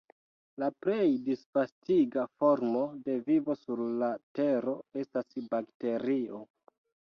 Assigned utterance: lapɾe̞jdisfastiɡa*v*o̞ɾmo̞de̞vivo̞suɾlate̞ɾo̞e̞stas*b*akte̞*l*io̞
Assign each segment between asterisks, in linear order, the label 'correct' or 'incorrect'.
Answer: incorrect: f, correct, incorrect: ɾ

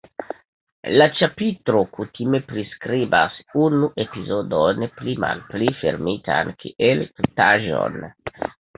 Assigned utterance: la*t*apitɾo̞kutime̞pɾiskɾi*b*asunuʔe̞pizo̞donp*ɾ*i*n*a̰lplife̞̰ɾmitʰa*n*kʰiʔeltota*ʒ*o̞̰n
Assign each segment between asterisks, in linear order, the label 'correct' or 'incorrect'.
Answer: incorrect: t͡ʃ, correct, incorrect: l, incorrect: m, correct, correct

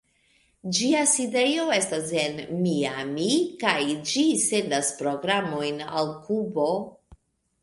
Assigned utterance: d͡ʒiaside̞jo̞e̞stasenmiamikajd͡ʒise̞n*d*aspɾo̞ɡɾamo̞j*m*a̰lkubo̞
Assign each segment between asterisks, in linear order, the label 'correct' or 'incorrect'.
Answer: correct, incorrect: n

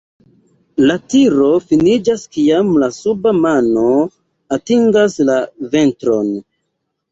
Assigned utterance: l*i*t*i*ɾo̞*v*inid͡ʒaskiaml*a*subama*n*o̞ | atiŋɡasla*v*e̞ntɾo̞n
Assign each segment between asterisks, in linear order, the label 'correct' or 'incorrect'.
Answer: incorrect: a, correct, incorrect: f, correct, correct, correct

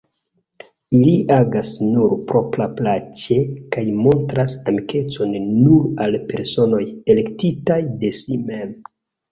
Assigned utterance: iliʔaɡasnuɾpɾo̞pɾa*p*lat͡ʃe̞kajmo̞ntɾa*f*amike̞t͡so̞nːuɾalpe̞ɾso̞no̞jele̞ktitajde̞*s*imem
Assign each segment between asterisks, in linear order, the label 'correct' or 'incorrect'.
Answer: correct, incorrect: s, correct

